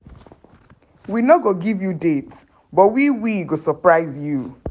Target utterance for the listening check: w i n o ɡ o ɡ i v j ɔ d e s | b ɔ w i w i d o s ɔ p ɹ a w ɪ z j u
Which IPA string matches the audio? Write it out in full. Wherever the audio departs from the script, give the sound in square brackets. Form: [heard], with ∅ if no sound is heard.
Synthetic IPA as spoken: w i n o ɡ o ɡ i v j [u] d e [t] | b ɔ w i w i [ɡ] o s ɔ p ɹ a [∅] ɪ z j u